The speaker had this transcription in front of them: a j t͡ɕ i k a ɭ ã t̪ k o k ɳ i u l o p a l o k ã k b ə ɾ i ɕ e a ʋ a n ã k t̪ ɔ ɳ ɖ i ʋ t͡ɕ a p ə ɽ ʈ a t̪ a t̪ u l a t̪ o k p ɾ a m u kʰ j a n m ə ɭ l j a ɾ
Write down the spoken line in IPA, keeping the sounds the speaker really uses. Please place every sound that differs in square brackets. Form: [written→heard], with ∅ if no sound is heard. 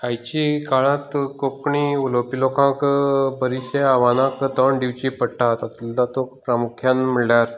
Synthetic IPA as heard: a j t͡ɕ i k a ɭ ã t̪ k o k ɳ i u l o p [a→i] l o k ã k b ə ɾ i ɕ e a ʋ a n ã k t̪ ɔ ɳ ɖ i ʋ t͡ɕ [a→i] p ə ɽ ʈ a t̪ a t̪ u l a t̪ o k p ɾ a m u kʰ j a n m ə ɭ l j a ɾ